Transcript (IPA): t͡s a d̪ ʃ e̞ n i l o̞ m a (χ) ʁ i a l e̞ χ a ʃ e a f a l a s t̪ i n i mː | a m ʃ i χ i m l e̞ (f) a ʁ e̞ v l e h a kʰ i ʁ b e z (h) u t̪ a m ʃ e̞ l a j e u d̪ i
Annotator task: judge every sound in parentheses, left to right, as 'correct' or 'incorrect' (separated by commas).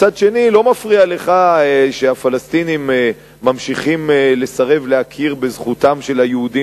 incorrect, incorrect, incorrect